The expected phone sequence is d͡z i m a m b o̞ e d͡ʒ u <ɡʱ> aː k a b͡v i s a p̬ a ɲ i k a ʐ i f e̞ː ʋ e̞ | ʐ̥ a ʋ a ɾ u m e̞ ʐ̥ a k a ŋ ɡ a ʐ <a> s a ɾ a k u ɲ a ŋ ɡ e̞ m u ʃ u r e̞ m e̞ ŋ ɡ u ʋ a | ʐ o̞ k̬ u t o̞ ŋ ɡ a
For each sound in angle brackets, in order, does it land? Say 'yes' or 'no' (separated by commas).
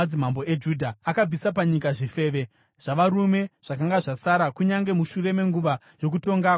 no, yes